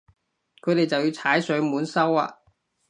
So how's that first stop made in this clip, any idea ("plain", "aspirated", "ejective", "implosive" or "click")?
aspirated